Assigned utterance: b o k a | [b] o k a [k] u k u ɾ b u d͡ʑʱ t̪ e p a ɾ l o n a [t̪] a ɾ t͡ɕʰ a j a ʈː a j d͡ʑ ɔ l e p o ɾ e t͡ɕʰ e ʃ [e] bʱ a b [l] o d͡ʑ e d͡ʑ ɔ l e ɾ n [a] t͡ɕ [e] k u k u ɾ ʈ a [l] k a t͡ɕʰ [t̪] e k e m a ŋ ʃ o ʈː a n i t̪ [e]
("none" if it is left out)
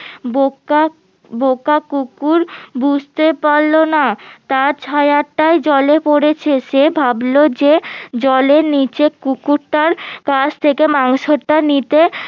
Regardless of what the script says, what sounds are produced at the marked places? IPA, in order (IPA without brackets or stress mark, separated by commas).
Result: b, k, t̪, e, l, i, e, ɾ, t̪ʰ, e